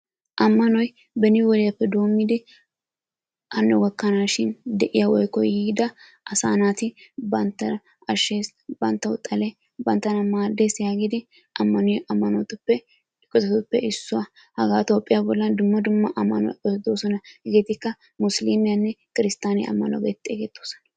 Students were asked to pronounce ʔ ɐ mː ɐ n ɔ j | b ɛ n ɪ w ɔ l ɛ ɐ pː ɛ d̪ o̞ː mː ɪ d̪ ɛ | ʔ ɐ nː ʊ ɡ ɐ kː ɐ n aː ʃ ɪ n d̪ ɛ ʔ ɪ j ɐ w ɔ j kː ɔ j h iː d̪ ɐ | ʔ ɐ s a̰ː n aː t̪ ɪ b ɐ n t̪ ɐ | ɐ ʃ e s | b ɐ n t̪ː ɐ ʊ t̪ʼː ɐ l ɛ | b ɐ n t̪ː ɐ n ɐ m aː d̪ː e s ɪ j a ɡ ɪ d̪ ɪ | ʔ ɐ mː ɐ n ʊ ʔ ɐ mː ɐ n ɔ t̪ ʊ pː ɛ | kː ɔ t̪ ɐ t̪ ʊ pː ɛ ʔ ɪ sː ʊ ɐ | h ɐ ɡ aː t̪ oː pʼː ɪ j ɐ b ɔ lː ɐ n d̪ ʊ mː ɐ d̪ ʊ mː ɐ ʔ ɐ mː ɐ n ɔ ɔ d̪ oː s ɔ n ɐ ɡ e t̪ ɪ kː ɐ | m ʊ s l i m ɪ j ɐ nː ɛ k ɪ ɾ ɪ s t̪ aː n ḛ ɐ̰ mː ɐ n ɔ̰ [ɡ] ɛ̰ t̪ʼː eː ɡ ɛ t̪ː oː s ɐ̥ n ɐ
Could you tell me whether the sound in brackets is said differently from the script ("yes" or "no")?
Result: no